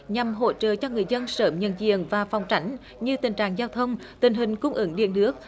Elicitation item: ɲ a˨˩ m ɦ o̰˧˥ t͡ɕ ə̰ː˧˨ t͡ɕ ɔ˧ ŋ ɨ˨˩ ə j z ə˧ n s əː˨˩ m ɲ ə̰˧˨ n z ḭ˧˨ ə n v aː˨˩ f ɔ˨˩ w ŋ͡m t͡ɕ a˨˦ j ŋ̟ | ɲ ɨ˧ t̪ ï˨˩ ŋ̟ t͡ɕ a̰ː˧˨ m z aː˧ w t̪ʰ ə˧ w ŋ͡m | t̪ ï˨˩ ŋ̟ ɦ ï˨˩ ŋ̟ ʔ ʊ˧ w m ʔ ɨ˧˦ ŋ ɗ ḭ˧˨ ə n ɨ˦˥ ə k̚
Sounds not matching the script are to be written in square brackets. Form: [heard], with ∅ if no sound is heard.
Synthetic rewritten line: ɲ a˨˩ m ɦ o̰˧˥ t͡ɕ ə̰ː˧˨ t͡ɕ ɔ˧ ŋ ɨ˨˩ ə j z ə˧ n s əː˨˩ m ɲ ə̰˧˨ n z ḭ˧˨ ə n v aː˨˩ f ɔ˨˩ w ŋ͡m t͡ɕ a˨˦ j ŋ̟ | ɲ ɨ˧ t̪ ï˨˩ ŋ̟ t͡ɕ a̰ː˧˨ [ŋ] z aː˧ w t̪ʰ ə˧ w ŋ͡m | t̪ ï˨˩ ŋ̟ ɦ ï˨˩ ŋ̟ [k] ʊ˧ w [ŋ͡m] ʔ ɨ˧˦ ŋ ɗ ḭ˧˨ ə n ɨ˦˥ ə k̚